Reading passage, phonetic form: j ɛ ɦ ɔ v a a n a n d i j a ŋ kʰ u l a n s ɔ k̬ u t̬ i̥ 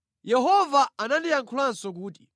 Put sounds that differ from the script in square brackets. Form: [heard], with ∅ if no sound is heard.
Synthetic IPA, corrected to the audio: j ɛ ɦ ɔ v a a n a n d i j a ŋ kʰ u l a n s ɔ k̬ [uː] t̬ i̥

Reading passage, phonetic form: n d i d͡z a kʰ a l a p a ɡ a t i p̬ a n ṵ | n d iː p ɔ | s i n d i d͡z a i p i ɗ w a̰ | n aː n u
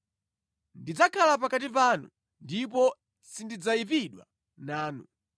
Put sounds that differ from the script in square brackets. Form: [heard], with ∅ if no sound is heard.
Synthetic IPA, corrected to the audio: n d i d͡z a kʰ a l a p a [k] a t i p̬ a n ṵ | n d [i] p ɔ | s i n d i d͡z a i p i ɗ w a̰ | n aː n u

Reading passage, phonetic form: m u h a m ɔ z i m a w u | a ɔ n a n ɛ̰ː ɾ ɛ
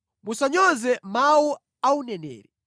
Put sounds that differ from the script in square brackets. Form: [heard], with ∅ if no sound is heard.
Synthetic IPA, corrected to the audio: m u [s] a [ɲ] ɔ z [ɛ] m a w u | a [u] n [ɛ] n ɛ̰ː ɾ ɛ

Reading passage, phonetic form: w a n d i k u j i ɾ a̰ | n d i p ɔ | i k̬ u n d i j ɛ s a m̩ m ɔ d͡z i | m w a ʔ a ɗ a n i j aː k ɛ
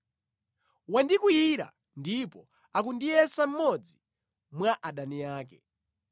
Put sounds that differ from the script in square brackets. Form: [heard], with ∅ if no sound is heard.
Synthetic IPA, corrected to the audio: w a n d i k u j i ɾ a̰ | n d i p ɔ | [a] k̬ u n d i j ɛ s a m̩ m ɔ d͡z i | m w a ʔ a ɗ a n i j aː k ɛ

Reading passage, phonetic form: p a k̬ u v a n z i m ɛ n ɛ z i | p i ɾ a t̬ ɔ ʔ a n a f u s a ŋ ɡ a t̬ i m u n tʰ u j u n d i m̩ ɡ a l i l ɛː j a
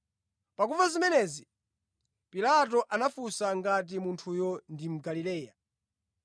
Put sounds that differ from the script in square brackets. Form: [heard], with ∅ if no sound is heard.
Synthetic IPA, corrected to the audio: p a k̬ u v a [∅] z i m ɛ n ɛ z i | p i [l] a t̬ ɔ ʔ a n a f u s a ŋ ɡ a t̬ i m u n tʰ u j [ɔ] n d i m̩ ɡ a l i l ɛː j a

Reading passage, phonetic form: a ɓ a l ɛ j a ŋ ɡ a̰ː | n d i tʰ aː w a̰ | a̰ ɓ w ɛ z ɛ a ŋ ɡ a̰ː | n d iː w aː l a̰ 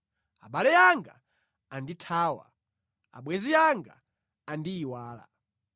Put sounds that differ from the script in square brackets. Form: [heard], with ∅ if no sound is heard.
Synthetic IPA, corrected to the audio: a ɓ a l ɛ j a ŋ ɡ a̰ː | n d i tʰ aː w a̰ | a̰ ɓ w ɛ z [i] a ŋ ɡ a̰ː | n d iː w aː l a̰

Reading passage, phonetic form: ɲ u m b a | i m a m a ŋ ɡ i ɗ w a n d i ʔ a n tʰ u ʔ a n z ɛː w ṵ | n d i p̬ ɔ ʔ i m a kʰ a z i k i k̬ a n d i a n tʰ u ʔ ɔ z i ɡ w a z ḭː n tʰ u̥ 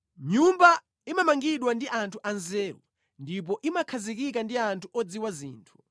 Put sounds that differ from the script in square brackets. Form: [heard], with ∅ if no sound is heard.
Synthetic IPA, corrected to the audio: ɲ u m b a | i m a m a ŋ ɡ i ɗ w a n d i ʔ a n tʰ u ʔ a n z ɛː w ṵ | n d i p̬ ɔ ʔ i m a kʰ a z i k i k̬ a n d i a n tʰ u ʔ ɔ [d͡z] i [∅] w a z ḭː n tʰ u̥

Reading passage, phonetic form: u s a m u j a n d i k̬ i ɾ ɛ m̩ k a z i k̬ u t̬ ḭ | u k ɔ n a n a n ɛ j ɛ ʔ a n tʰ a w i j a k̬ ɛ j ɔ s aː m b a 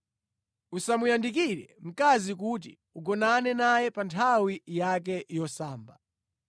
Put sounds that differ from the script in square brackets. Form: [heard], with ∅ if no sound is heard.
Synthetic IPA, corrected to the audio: u s a m u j a n d i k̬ i ɾ ɛ m̩ k a z i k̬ u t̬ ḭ | u [ɡ] ɔ n a n [ɛ] n [a] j ɛ [p] a n tʰ a w i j a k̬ ɛ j ɔ s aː m b a

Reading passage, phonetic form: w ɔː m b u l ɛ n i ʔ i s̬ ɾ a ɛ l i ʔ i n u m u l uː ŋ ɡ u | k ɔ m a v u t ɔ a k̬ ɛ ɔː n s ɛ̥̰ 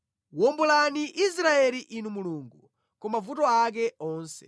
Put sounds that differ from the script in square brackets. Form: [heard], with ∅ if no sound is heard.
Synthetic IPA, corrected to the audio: w [ɔ] m b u l [a] n i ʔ i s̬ ɾ a ɛ l i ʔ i n u m u l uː ŋ ɡ u | k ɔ m a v u t ɔ a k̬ ɛ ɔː n s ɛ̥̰

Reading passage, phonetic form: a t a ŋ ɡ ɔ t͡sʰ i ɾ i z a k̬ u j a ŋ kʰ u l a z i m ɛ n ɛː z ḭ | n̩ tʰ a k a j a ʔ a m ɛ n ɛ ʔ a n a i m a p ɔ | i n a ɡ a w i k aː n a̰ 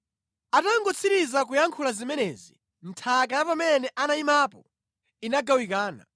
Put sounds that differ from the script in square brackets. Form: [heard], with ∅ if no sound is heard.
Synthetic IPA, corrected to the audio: a t a ŋ ɡ ɔ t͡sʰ i ɾ i z a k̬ u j a ŋ kʰ u l a z i m ɛ n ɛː z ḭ | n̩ tʰ a k a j a [p] a m ɛ n ɛ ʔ a n a i m a p ɔ | i n a ɡ a w i k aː n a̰

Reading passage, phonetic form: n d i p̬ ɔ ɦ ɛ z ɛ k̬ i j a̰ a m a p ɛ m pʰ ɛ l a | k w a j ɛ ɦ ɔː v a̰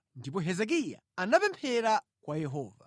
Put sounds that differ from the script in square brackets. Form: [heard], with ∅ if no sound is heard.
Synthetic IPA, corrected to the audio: n d i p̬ ɔ ɦ ɛ z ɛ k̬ i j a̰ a [n] a p ɛ m pʰ ɛ [ɾ] a | k w a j ɛ ɦ ɔː v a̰

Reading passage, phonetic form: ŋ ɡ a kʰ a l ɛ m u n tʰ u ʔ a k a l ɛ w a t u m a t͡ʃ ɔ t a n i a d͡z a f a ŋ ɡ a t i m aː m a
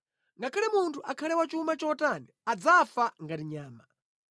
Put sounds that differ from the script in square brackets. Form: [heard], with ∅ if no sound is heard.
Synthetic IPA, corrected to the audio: ŋ ɡ a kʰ a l ɛ m u n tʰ u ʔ a [kʰ] a l ɛ w a [t͡ʃ] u m a t͡ʃ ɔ t a n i a d͡z a f a ŋ ɡ a t i [ɲ] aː m a

